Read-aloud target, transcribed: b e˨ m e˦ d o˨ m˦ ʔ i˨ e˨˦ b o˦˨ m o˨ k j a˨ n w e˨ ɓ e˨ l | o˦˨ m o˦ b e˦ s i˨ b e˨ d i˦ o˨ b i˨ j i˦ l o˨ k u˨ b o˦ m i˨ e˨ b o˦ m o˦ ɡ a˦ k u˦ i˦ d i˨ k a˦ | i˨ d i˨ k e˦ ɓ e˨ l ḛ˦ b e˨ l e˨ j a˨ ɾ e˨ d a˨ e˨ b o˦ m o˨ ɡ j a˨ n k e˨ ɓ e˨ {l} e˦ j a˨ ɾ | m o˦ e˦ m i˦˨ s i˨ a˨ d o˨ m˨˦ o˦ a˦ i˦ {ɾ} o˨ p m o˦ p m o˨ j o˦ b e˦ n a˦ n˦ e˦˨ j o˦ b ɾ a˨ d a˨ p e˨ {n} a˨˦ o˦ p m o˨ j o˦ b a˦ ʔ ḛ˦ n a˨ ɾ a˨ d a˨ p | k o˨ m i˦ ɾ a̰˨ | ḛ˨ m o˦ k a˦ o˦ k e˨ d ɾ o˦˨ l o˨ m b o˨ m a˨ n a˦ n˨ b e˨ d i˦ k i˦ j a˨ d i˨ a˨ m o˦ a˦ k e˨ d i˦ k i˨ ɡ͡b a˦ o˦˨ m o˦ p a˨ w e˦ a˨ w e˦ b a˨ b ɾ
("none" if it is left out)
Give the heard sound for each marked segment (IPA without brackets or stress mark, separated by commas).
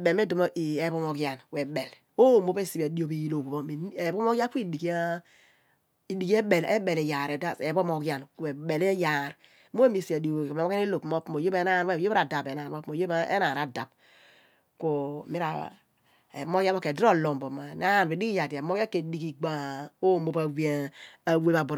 l, l, n